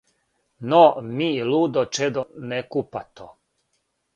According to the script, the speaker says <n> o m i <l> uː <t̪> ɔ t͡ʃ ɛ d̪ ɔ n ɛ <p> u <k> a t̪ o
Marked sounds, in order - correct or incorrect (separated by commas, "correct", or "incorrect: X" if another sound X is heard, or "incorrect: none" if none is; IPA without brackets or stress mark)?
correct, correct, incorrect: d̪, incorrect: k, incorrect: p